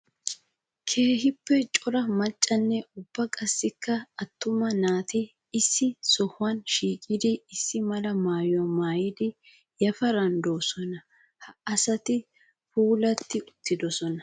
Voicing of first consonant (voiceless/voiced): voiceless